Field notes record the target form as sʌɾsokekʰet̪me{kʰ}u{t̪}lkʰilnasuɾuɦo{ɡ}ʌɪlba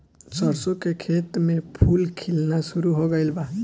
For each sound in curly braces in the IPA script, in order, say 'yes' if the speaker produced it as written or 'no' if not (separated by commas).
no, no, yes